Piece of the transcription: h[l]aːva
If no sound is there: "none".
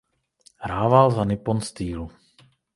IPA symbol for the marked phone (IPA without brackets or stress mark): ɾ